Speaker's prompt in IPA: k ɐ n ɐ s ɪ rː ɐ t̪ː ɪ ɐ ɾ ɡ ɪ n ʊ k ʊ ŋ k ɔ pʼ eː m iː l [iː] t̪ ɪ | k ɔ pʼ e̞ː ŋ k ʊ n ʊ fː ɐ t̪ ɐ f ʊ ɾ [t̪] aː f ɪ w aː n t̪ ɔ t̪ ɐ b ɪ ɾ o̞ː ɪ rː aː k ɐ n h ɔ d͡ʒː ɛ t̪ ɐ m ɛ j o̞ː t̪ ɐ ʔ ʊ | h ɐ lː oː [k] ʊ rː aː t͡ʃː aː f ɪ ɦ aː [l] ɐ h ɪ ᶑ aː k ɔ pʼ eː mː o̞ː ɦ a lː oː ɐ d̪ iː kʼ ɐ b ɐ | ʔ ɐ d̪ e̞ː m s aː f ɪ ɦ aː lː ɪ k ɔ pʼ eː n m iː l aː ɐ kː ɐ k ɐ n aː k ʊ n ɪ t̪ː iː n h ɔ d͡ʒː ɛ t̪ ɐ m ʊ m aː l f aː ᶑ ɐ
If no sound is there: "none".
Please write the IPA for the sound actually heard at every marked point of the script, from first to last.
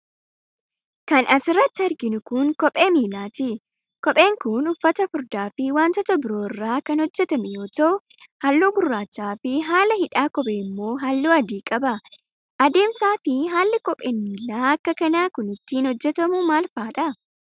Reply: aː, d̪, ɡ, l

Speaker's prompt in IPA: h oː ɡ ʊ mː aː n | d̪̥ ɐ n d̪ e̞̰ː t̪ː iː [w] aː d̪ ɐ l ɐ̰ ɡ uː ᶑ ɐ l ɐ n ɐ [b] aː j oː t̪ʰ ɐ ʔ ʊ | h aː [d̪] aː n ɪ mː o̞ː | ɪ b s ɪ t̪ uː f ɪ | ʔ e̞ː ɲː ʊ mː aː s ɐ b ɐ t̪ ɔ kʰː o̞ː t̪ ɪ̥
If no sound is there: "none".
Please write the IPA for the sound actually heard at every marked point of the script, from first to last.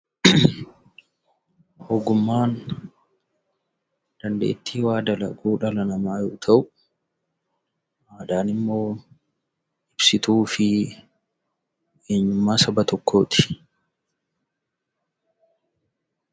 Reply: w, m, d̪

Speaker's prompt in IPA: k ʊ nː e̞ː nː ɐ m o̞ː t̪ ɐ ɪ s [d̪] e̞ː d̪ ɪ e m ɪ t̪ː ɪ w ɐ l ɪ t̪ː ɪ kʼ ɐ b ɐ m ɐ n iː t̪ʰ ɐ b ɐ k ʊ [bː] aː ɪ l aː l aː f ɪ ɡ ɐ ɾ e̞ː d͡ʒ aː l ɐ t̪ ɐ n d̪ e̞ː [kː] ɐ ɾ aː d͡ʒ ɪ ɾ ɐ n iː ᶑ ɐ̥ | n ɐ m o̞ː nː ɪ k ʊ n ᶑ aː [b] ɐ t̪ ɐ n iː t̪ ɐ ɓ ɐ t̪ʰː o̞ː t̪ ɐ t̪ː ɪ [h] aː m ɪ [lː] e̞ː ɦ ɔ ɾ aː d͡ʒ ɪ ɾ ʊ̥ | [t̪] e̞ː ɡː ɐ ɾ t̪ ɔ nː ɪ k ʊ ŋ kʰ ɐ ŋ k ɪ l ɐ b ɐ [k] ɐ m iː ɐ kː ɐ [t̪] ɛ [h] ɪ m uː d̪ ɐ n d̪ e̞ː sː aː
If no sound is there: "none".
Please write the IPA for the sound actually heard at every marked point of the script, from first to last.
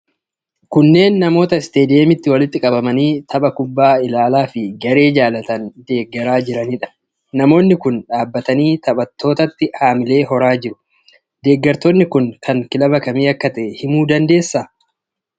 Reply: t̪, bː, ɡː, bː, h, l, d̪, k, t̪, h

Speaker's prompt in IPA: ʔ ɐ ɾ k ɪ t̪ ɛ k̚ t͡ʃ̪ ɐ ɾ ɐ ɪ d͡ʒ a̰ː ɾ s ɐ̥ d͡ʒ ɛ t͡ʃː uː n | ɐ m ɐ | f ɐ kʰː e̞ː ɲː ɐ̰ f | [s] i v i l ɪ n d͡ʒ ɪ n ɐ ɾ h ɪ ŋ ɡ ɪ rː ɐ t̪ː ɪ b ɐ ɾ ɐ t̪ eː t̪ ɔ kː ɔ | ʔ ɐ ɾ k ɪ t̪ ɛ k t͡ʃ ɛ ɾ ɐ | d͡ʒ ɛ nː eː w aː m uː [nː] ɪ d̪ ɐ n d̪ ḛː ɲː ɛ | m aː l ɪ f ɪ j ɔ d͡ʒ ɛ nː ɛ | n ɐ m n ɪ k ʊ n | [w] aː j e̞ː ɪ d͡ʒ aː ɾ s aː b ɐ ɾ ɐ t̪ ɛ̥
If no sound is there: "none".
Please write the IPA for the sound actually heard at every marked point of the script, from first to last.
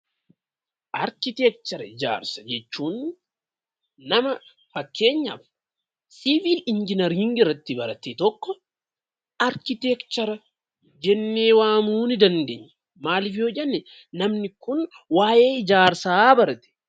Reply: s, n, w

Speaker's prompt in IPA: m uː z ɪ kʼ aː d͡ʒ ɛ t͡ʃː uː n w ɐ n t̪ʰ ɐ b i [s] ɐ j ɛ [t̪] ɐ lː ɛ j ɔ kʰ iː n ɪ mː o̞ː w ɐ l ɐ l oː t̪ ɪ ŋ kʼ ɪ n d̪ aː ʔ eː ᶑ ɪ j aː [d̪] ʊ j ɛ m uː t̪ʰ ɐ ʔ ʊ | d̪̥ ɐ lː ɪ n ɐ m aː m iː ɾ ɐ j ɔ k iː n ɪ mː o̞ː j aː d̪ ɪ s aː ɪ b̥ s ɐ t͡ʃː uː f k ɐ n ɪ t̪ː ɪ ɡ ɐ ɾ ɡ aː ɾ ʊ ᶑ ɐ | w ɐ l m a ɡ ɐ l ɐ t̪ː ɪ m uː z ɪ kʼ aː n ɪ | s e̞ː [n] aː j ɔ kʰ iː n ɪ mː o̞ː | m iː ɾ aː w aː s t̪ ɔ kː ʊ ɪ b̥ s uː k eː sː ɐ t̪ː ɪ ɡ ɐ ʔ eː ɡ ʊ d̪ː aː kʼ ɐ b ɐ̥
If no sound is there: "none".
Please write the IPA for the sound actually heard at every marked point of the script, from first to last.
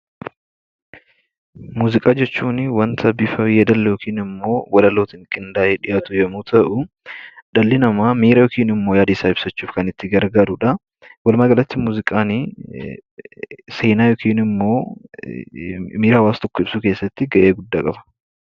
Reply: f, d̪, t̪, n

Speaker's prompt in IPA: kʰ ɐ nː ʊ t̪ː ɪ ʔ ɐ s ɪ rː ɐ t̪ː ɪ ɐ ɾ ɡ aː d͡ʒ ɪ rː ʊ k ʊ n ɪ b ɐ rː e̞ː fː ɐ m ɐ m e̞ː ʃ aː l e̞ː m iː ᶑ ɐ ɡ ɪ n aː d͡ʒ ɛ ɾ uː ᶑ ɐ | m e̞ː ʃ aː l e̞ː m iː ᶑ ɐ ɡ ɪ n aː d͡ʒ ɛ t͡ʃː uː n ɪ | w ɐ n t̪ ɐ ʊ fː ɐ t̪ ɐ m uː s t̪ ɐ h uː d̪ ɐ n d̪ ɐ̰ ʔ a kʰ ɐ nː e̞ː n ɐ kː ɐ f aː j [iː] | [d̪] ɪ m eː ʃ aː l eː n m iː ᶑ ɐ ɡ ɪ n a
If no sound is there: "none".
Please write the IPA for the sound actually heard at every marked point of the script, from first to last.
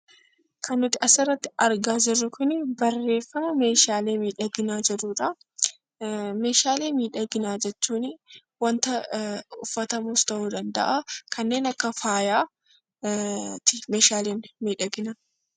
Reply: aː, t̪

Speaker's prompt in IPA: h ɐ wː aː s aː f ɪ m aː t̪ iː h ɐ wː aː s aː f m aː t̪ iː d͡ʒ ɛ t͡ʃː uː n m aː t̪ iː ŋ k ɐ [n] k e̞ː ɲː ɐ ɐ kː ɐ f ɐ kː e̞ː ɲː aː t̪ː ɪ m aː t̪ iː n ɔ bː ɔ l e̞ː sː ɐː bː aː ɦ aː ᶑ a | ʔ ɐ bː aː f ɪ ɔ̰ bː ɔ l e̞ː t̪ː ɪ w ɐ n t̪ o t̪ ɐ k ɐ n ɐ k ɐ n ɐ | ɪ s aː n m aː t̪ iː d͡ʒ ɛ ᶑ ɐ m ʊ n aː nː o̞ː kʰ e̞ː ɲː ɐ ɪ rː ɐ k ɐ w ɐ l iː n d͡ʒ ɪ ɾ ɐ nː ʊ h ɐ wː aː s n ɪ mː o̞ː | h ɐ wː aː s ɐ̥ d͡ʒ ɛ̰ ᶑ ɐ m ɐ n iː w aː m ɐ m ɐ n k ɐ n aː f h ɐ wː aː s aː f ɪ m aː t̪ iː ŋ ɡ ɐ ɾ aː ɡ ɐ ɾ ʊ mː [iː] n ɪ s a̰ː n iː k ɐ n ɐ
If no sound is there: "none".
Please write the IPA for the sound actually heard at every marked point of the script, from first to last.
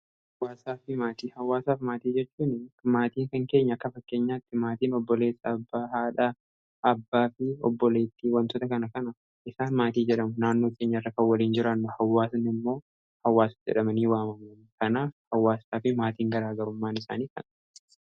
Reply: ŋ, aː

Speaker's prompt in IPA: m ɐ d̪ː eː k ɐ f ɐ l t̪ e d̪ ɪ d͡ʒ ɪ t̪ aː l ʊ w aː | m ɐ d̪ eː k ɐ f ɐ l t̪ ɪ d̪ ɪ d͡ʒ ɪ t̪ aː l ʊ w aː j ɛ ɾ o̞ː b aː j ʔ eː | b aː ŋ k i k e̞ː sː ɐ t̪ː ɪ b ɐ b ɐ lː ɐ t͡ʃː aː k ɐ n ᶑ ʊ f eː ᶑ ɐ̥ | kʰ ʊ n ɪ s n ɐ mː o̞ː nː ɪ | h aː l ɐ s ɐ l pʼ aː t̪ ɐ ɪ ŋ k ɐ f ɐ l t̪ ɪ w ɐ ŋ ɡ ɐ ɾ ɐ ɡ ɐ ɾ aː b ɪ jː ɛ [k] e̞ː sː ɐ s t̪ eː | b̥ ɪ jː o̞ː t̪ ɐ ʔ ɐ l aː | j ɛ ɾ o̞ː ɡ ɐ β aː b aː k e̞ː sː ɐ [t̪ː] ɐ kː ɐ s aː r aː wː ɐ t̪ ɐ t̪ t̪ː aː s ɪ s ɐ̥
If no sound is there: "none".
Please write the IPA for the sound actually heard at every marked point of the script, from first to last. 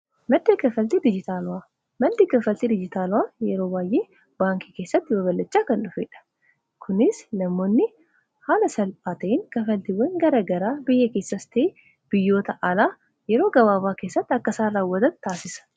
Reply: k, t̪ː

